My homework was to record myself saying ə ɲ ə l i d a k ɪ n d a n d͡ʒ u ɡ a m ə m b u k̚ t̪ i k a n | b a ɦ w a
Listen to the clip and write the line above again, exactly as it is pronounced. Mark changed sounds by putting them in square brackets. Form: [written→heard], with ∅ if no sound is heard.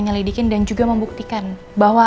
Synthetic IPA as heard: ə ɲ ə l i d [a→i] k ɪ n d a n d͡ʒ u ɡ a m ə m b u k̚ t̪ i k a n | b a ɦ w a